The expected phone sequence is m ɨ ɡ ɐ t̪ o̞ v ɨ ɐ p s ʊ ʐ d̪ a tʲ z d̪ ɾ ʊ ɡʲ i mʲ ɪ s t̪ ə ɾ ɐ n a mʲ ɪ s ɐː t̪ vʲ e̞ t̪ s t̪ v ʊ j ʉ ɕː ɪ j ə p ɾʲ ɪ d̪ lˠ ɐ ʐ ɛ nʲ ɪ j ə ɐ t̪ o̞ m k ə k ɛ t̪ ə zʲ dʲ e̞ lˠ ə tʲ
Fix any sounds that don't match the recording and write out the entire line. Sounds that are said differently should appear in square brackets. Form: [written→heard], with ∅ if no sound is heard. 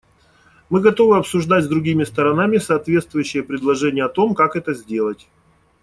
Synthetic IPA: m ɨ ɡ ɐ t̪ o̞ v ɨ ɐ p s ʊ ʐ d̪ a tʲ z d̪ ɾ ʊ ɡʲ i mʲ ɪ s t̪ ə ɾ ɐ n a mʲ ɪ s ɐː t̪ vʲ e̞ t̪ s t̪ v ʊ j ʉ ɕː ɪ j ə p ɾʲ ɪ d̪ lˠ ɐ ʐ ɛ nʲ ɪ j ə ɐ t̪ o̞ m k [ə→a] k ɛ t̪ ə zʲ dʲ e̞ lˠ ə tʲ